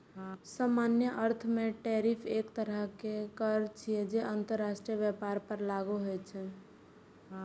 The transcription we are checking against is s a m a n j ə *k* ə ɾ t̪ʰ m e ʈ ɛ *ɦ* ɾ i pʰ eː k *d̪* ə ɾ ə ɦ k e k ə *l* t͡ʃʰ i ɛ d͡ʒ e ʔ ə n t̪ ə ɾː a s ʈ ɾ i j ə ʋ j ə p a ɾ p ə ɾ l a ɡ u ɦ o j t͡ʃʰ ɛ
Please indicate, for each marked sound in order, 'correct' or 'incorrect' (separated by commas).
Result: incorrect, incorrect, incorrect, incorrect